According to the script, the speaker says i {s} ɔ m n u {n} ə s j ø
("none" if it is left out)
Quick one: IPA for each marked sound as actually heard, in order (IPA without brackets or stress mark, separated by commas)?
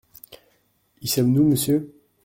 s, m